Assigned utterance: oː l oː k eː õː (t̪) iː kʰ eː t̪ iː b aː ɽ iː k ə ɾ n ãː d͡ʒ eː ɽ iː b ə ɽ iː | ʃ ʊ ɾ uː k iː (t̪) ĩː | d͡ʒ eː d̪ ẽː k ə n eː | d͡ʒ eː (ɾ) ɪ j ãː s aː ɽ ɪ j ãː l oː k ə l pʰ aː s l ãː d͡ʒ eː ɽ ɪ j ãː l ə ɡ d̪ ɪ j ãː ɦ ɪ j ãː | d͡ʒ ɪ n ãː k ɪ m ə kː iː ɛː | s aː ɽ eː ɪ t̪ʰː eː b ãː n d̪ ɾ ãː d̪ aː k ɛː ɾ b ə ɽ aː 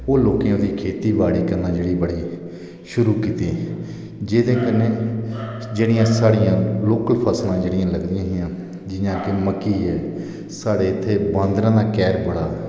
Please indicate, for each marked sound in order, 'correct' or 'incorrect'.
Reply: incorrect: d̪, correct, incorrect: ɽ

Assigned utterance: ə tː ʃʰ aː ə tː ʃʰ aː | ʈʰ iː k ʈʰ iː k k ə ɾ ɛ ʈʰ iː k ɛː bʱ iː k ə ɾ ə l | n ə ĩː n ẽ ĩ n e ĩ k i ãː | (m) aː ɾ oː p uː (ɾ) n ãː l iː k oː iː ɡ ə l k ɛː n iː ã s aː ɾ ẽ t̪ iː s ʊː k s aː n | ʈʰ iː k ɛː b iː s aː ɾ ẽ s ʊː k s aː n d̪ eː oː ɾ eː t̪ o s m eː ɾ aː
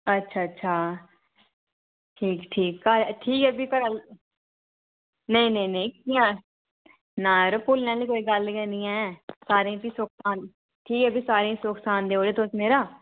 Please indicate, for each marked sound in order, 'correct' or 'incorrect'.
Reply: incorrect: n, incorrect: l

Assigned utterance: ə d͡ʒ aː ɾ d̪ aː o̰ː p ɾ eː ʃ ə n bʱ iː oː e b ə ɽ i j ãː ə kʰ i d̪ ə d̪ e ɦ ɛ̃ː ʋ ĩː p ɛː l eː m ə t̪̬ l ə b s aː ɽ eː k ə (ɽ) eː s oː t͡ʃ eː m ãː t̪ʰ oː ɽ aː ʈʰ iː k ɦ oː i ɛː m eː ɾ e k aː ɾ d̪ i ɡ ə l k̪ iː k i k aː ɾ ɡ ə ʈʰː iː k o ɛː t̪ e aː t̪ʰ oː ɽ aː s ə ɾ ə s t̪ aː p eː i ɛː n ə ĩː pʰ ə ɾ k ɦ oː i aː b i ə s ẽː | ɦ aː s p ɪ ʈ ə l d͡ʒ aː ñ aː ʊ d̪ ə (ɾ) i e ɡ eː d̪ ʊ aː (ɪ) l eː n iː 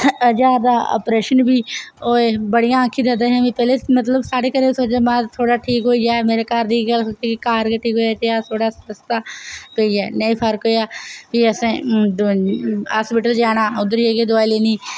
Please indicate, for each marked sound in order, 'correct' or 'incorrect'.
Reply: incorrect: ɾ, correct, incorrect: i

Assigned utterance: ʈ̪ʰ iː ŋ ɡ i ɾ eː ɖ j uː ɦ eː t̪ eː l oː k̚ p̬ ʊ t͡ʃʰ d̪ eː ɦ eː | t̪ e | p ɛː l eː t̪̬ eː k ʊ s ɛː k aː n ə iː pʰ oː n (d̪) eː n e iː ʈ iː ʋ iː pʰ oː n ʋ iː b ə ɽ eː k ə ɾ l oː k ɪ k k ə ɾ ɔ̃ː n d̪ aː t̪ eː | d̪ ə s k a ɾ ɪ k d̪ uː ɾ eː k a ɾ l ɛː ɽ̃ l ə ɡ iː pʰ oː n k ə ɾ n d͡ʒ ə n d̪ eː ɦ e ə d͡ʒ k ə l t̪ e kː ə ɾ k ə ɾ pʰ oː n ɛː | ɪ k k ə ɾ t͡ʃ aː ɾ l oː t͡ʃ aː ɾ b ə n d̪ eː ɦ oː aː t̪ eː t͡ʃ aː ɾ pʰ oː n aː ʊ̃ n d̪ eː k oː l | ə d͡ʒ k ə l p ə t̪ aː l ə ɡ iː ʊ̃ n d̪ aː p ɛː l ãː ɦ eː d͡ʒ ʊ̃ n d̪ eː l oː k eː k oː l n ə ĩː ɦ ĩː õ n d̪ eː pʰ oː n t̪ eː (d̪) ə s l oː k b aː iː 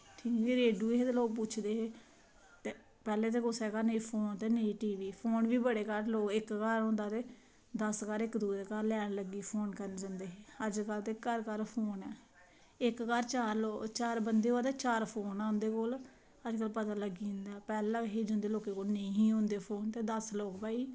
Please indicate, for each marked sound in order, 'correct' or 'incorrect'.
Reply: incorrect: t̪, correct

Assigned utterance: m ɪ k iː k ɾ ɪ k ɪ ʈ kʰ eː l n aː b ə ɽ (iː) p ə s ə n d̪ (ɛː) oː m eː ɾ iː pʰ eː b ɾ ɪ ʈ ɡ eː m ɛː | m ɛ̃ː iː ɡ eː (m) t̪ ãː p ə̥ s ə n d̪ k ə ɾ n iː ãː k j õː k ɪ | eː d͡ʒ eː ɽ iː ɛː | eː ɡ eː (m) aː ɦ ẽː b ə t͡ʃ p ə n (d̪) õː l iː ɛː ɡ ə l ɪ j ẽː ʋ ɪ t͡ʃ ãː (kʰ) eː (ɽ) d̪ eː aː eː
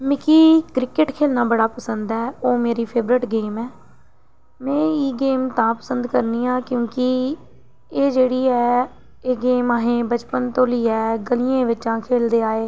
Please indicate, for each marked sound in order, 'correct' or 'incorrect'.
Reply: incorrect: aː, correct, correct, correct, incorrect: t̪, correct, incorrect: l

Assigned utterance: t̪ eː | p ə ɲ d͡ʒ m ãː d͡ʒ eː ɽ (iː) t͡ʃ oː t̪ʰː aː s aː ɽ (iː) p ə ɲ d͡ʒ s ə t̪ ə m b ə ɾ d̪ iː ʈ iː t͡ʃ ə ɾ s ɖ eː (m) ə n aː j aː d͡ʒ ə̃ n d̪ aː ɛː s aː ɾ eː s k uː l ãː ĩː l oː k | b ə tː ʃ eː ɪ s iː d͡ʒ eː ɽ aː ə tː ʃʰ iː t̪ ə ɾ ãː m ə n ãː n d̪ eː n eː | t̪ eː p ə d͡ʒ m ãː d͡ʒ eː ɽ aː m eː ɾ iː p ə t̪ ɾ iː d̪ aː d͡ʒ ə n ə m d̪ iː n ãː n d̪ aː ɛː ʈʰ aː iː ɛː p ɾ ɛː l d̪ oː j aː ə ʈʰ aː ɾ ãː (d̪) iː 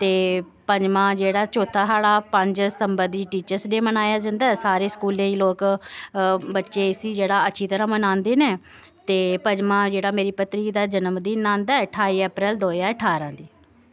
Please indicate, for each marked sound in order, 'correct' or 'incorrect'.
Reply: incorrect: aː, incorrect: aː, correct, correct

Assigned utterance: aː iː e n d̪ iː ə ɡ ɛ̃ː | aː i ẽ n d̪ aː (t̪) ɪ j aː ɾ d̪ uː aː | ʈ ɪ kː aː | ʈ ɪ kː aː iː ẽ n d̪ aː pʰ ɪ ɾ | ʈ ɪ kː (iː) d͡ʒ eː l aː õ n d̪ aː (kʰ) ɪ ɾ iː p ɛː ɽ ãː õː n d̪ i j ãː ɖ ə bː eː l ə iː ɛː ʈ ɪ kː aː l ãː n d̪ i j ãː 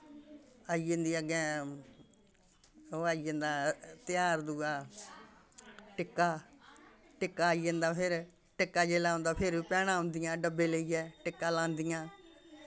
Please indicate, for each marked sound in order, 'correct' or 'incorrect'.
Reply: correct, incorrect: aː, incorrect: pʰ

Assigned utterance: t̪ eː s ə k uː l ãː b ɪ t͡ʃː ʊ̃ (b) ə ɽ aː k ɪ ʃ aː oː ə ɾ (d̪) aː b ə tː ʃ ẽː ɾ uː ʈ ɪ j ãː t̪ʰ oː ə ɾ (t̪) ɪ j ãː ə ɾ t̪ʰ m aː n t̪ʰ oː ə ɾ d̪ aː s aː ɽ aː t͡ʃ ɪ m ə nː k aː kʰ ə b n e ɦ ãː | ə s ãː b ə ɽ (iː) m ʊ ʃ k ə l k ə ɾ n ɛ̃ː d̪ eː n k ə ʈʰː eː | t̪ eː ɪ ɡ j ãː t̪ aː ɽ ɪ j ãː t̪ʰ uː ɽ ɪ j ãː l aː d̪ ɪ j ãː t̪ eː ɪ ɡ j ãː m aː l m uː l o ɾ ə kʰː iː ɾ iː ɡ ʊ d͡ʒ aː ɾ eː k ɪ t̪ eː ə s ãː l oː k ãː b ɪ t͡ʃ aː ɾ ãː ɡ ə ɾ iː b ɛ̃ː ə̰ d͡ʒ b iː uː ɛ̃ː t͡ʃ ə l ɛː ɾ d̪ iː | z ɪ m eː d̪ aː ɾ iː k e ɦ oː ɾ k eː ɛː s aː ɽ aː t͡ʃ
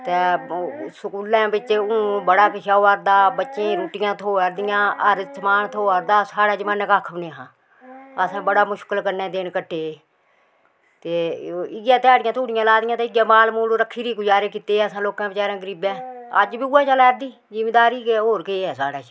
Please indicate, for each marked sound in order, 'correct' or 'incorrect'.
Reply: correct, correct, incorrect: d̪, incorrect: aː

